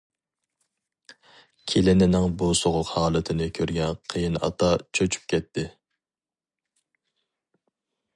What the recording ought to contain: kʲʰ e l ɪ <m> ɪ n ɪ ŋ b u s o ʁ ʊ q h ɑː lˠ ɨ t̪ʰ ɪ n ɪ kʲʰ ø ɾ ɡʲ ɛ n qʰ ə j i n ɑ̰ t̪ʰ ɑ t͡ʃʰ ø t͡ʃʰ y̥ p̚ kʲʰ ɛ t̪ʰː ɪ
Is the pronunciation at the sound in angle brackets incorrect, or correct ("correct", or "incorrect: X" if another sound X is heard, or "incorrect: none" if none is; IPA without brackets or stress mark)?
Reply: incorrect: n